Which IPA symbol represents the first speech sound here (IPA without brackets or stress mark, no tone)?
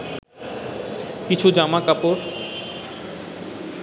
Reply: k